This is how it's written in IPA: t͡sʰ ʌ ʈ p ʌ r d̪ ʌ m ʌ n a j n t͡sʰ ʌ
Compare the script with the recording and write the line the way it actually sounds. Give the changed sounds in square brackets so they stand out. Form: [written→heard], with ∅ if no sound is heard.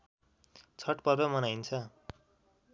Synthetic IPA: t͡sʰ ʌ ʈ p ʌ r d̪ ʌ m ʌ n a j n t͡sʰ ʌ